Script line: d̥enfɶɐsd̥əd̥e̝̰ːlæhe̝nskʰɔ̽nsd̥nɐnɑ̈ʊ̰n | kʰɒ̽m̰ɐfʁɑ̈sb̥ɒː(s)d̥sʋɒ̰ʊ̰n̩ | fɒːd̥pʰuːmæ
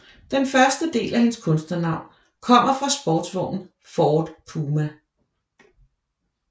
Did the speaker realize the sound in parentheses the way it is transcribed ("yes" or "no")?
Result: no